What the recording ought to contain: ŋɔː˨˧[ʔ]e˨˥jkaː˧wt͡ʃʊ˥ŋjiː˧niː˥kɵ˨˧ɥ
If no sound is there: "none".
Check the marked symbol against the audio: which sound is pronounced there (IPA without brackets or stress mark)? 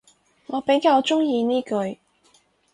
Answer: p